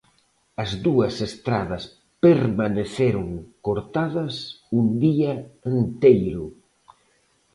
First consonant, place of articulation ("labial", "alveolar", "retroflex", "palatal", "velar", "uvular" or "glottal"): alveolar